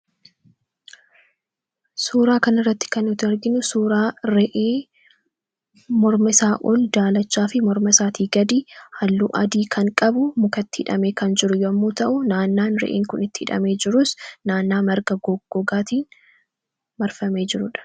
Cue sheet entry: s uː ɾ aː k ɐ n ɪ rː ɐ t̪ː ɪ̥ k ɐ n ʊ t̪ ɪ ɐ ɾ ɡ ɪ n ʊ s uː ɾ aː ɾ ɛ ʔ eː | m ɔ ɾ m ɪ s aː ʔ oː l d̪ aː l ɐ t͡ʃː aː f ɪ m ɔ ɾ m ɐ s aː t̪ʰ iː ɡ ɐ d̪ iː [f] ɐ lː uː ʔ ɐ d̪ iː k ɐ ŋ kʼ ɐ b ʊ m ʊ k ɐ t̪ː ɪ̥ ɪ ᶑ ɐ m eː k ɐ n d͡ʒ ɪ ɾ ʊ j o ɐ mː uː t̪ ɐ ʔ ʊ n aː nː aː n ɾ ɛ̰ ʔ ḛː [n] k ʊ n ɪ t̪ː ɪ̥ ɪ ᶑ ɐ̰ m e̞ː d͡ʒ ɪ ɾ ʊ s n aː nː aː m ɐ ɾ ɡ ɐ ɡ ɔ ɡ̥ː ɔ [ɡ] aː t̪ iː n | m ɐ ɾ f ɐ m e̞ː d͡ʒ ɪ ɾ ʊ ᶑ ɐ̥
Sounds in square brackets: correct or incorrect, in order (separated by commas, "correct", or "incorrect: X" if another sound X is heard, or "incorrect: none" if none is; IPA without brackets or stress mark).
incorrect: h, incorrect: ŋ, correct